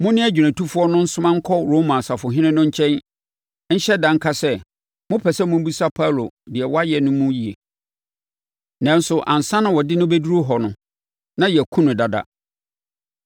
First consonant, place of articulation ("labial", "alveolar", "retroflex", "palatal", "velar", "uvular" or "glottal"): labial